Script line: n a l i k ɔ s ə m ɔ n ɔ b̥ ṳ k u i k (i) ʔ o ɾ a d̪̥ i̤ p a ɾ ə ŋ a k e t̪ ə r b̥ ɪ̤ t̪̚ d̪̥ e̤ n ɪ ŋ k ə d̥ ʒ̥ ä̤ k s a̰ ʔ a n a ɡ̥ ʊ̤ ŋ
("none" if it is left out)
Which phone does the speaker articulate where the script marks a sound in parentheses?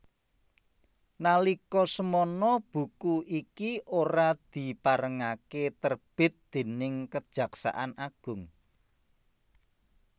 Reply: i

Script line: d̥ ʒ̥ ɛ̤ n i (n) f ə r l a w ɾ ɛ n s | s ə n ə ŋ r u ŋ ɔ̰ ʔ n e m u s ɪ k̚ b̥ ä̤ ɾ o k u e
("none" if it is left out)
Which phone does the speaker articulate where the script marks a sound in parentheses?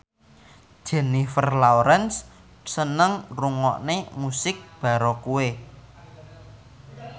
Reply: none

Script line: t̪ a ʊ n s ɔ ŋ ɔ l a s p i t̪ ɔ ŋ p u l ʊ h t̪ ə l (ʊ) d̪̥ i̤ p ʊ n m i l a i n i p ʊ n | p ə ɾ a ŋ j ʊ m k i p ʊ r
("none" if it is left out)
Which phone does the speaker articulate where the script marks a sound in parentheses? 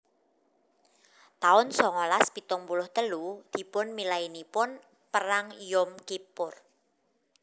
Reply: u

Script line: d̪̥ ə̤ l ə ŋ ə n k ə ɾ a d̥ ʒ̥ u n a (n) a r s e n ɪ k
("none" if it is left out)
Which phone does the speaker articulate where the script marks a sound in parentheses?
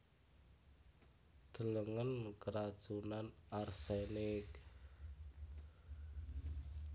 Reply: n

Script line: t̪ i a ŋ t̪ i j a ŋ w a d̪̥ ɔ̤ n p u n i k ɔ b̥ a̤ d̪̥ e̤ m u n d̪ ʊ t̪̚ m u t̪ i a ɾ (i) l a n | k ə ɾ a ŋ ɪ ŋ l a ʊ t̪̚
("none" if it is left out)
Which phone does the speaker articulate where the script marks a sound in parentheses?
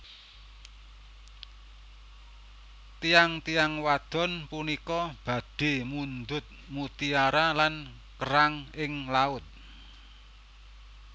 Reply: a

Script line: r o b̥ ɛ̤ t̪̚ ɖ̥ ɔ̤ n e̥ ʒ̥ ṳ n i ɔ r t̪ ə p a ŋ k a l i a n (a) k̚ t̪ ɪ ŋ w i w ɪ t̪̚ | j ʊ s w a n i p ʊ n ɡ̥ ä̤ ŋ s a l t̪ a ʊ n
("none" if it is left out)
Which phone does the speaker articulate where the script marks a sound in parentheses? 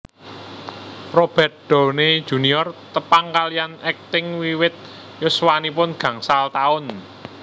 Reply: ɛ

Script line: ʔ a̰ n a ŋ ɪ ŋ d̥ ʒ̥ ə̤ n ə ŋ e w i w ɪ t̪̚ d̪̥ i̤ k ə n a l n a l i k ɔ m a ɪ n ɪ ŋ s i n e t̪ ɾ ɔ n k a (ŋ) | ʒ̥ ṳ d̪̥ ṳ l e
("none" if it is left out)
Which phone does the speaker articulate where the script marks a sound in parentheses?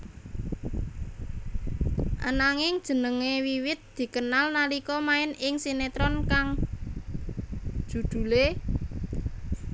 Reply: ŋ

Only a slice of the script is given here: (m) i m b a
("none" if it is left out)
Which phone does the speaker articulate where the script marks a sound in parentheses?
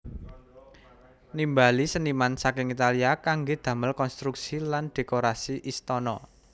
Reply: n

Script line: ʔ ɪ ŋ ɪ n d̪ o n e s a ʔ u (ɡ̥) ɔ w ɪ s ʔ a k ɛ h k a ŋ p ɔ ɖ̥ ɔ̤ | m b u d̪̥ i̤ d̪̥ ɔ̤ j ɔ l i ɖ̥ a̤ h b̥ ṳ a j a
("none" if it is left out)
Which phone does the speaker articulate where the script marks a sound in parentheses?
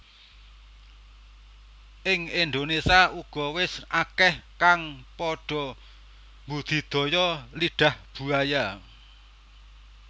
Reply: ɡ̥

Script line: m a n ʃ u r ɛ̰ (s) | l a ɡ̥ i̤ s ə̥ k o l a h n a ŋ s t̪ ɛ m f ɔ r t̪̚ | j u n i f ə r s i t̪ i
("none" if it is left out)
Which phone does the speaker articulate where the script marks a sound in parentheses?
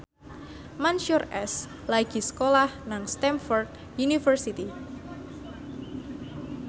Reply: s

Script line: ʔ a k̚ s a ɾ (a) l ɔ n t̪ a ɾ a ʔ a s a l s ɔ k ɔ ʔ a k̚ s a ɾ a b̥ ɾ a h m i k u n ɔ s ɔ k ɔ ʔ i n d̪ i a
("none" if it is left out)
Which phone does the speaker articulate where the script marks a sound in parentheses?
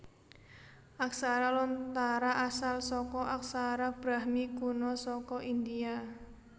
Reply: a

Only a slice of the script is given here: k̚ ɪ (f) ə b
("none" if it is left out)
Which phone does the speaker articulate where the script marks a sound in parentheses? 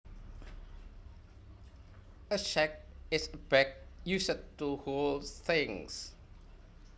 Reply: s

